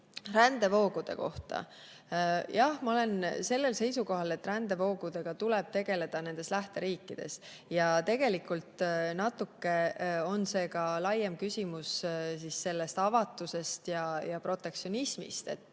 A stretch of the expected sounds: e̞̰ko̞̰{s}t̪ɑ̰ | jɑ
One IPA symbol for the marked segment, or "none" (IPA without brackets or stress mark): h